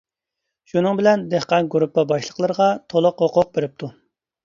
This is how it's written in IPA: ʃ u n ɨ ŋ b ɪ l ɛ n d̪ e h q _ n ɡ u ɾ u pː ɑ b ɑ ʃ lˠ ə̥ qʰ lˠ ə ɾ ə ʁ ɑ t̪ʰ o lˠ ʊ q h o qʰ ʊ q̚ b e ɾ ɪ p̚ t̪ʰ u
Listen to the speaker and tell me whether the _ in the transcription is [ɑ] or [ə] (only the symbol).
ɑ